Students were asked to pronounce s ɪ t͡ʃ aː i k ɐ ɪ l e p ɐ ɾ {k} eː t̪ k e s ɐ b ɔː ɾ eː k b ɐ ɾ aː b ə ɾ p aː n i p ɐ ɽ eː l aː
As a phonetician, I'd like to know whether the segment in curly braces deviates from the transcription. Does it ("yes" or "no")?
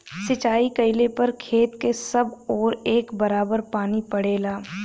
yes